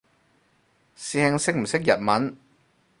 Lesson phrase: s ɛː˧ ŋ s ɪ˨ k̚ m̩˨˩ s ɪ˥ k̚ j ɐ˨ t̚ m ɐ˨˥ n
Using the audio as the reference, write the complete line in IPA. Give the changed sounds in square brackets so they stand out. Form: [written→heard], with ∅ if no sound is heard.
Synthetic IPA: s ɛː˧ ŋ s [ɪ˨→ɪ˥] k̚ m̩˨˩ s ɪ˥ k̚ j ɐ˨ t̚ m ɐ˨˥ n

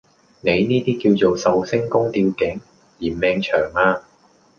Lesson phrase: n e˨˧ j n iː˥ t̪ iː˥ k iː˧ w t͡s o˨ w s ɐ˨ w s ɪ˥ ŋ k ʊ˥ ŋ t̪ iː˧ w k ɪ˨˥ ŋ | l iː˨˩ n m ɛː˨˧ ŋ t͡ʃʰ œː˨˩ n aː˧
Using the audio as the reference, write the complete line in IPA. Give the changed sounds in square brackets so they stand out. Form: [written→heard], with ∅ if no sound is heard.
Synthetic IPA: n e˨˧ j n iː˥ t̪ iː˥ k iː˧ w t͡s o˨ w s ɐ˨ w s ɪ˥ ŋ k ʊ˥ ŋ t̪ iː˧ w k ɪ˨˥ ŋ | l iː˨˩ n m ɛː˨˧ ŋ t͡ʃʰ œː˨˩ [n→ŋ] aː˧

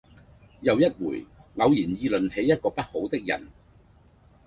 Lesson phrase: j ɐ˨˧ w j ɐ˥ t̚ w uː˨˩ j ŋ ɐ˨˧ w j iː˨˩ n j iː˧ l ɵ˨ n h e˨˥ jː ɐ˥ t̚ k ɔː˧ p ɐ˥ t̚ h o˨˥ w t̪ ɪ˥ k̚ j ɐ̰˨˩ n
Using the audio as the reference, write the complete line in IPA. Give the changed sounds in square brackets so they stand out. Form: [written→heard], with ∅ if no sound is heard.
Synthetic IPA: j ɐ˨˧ w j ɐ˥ t̚ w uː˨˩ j ŋ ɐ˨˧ w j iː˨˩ n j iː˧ l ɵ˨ n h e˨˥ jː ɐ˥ t̚ k ɔː˧ p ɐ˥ t̚ h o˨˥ w t̪ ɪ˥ k̚ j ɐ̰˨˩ n

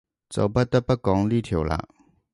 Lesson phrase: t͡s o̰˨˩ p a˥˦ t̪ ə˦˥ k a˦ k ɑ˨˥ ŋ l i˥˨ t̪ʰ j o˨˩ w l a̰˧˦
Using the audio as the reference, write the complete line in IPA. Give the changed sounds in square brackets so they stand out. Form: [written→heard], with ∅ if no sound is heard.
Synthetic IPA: t͡s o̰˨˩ p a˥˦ t̪ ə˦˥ [k→p] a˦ k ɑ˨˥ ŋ l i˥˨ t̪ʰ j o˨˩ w l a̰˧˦

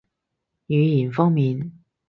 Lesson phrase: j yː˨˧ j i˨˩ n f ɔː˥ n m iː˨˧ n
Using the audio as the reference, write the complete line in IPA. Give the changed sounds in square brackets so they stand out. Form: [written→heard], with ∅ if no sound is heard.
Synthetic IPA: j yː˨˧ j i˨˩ n f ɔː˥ [n→ŋ] m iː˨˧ n

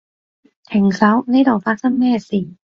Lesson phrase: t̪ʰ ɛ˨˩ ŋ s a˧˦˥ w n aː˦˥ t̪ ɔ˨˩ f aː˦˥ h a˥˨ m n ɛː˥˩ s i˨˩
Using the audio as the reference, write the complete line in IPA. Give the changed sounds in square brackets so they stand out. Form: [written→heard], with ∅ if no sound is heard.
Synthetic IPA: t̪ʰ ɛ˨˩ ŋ s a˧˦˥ w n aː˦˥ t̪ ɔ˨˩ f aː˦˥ [h→s] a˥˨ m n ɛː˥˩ s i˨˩

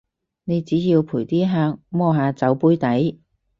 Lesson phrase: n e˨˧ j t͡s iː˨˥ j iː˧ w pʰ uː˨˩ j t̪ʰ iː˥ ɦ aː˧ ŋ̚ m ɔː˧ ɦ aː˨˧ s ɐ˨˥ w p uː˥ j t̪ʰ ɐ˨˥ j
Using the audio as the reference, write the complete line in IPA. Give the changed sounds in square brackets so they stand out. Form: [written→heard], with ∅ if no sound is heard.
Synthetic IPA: n e˨˧ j t͡s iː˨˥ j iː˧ w pʰ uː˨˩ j [t̪ʰ→t̪] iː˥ ɦ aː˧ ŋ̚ m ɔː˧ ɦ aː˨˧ [s→t͡s] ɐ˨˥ w p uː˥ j [t̪ʰ→t̪] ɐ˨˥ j

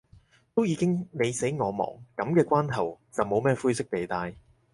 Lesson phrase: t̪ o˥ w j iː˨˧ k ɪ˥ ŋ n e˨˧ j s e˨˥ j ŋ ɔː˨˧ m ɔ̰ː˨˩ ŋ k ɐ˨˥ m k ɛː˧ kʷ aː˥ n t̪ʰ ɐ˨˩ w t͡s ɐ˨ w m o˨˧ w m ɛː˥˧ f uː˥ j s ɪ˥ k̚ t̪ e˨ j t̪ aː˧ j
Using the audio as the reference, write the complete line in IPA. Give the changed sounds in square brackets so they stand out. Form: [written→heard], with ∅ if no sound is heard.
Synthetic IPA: t̪ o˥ w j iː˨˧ k ɪ˥ ŋ n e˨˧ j s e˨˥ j ŋ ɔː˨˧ m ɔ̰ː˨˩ ŋ k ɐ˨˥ m k ɛː˧ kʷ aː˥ n t̪ʰ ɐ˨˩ w t͡s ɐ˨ w m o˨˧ w m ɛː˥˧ f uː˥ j s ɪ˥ k̚ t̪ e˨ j t̪ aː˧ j

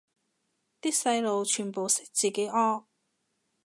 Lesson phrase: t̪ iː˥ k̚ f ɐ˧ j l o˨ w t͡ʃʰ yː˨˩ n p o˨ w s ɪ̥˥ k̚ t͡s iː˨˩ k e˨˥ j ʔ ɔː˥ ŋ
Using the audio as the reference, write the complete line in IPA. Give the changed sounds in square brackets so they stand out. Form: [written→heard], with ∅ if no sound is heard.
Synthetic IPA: t̪ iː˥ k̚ [f→s] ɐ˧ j l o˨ w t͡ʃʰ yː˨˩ n p o˨ w s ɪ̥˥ k̚ t͡s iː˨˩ k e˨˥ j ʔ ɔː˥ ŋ

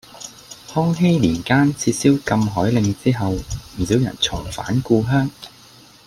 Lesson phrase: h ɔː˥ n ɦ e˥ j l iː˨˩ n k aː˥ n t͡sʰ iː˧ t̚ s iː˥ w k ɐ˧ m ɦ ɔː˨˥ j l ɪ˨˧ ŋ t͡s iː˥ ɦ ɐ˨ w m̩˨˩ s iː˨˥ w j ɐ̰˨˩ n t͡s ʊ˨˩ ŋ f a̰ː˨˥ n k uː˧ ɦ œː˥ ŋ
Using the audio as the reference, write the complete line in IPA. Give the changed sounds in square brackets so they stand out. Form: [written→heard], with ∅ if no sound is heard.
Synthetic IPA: h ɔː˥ [n→ŋ] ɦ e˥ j l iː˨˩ n k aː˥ n t͡sʰ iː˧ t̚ s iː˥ w k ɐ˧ m ɦ ɔː˨˥ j l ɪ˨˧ ŋ t͡s iː˥ ɦ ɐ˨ w m̩˨˩ s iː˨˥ w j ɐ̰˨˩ n [t͡s→t͡sʰ] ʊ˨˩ ŋ f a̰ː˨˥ n k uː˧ ɦ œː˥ ŋ

